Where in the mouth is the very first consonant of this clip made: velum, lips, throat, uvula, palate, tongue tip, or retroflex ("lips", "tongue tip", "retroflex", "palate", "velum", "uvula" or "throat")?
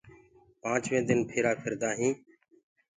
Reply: lips